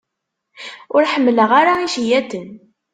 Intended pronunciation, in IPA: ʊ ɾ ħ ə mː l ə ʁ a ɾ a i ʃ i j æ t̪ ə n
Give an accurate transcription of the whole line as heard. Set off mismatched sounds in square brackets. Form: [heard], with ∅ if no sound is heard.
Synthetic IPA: ʊ ɾ ħ ə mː l ə ʁ a ɾ a i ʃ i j æ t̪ ə n

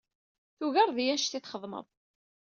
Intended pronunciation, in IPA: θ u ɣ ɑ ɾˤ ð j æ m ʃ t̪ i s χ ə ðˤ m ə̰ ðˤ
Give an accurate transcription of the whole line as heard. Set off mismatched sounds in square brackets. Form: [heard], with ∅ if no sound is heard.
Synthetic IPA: θ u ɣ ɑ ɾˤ ð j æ [n] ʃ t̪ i [θ] χ ə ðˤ m ə̰ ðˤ

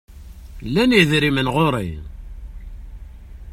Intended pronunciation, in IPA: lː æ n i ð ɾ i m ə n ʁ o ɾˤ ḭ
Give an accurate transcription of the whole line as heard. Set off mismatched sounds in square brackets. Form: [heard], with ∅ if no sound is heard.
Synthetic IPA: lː æ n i ð ɾ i m ə n ʁ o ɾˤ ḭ

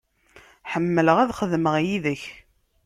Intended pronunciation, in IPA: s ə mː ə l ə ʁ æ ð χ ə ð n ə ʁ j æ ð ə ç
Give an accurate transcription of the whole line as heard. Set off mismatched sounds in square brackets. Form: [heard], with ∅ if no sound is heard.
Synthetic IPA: [ħ] ə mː ə l ə ʁ æ ð χ ə ð [m] ə ʁ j [i] ð ə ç

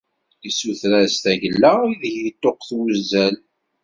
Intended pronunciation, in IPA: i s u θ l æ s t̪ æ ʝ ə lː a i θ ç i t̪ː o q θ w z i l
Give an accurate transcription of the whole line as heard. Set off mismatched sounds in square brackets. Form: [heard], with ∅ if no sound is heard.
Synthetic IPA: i s u θ [ɾ] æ s t̪ æ ʝ ə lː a i [ð] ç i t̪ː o q θ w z [æ] l

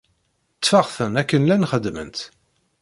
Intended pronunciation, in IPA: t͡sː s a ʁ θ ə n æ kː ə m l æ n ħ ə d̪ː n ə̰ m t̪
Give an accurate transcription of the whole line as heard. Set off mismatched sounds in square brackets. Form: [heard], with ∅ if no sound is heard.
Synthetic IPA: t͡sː [f] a ʁ θ ə n æ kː ə [n] l æ n [χ] ə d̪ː [m] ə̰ [n] t̪

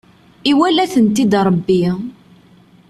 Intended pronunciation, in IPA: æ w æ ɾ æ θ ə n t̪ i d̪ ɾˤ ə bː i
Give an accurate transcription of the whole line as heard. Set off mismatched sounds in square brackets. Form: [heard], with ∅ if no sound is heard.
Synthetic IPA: [i] w æ [l] æ θ ə n t̪ i d̪ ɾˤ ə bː i

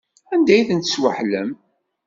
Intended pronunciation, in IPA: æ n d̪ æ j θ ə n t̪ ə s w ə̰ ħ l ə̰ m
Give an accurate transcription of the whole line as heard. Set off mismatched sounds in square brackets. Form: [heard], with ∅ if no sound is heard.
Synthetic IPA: æ n d̪ æ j θ ə n t̪ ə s w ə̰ ħ l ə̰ m

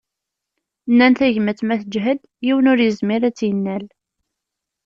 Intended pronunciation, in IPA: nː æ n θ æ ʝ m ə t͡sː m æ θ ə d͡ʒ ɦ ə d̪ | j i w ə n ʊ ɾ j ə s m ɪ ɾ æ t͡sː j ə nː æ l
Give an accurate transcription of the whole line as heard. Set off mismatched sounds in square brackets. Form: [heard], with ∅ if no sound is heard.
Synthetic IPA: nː æ n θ æ ʝ m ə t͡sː m æ θ ə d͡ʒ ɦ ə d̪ | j i w ə n ʊ ɾ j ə [z] m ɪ ɾ æ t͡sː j ə nː æ l

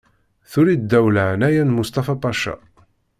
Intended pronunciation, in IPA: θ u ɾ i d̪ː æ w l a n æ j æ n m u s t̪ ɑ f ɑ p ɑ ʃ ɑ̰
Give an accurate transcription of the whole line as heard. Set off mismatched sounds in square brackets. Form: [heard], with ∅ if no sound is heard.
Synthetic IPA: θ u ɾ i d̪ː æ w l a n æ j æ n m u s t̪ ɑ f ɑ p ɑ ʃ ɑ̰

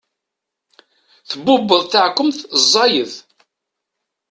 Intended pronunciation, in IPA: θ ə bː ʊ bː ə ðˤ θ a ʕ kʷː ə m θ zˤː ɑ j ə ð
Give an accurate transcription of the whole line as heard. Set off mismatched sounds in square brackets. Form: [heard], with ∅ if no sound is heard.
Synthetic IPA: θ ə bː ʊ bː ə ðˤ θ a ʕ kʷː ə m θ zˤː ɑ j ə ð

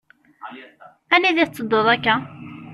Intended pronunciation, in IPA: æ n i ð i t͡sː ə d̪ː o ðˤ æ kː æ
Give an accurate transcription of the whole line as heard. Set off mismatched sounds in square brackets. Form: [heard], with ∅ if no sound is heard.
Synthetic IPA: æ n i ð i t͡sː ə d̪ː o ðˤ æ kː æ

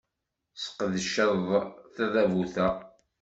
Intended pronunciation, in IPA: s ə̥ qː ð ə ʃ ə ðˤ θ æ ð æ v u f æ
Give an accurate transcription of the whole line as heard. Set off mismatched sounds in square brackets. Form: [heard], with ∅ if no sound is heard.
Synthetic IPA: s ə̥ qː ð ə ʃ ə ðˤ θ æ ð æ v u [θ] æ

